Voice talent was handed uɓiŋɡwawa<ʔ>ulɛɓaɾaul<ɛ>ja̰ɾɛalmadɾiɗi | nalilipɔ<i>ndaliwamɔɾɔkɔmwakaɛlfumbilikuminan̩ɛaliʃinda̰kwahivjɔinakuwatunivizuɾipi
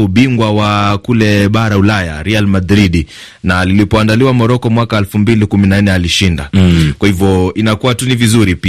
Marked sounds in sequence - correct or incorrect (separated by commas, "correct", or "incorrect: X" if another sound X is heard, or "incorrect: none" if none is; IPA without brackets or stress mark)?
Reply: incorrect: k, incorrect: a, incorrect: a